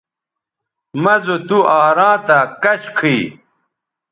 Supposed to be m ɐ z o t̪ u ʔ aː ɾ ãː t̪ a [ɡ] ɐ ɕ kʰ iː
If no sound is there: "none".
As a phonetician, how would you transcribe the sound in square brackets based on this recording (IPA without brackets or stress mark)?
k